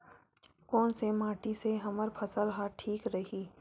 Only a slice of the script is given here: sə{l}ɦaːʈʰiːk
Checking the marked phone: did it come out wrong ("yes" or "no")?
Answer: no